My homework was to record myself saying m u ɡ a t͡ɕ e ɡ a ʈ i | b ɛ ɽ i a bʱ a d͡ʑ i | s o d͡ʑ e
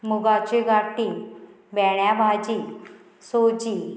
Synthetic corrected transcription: m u ɡ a t͡ɕ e ɡ a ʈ i | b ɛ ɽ j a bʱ a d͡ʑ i | s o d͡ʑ i